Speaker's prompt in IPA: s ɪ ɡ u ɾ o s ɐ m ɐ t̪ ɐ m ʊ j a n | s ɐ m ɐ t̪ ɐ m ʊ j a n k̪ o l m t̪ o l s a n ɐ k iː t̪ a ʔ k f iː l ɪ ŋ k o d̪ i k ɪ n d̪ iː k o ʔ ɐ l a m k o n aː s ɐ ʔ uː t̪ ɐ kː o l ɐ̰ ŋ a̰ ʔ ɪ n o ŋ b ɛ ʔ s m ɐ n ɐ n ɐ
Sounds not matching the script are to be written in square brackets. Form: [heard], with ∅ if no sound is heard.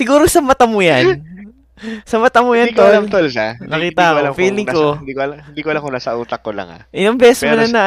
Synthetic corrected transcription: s ɪ ɡ [uː] ɾ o s ɐ m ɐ t̪ ɐ m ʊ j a n | s ɐ m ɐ t̪ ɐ m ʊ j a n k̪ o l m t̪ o l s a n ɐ k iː t̪ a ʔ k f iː l ɪ ŋ k o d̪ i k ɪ n d̪ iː k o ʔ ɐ l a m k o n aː s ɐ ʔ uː t̪ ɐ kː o l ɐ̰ ŋ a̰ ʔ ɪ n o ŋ b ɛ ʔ s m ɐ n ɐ n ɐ